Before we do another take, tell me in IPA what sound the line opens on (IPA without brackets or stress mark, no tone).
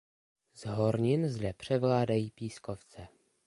z